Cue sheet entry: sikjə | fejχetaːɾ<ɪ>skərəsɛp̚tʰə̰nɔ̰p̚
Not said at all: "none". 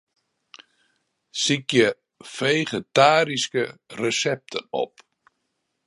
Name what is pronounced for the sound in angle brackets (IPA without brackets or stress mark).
i